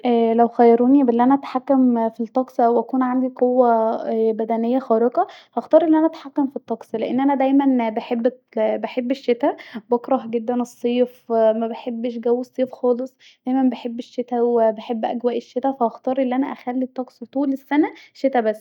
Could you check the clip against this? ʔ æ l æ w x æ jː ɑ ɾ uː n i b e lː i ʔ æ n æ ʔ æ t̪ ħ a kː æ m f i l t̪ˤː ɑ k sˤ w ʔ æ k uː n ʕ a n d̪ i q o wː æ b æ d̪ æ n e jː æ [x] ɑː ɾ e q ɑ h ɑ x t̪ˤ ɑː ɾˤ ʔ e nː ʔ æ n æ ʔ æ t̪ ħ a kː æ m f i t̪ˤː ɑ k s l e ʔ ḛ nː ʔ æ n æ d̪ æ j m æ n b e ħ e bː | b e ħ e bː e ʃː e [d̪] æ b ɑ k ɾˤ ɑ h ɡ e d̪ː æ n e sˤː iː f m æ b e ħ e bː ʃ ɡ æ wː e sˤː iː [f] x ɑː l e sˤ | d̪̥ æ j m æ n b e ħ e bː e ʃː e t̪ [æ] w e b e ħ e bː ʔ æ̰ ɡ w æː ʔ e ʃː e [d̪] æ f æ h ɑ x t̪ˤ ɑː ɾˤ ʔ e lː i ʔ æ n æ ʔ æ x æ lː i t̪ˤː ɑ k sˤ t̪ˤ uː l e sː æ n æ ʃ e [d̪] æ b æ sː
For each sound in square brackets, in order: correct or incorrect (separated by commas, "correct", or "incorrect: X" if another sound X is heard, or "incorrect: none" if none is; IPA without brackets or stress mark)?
correct, incorrect: t̪, correct, correct, incorrect: t̪, incorrect: t̪